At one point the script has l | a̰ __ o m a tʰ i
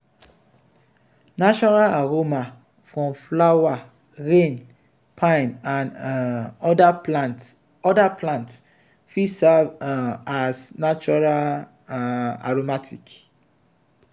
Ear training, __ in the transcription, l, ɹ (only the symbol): ɹ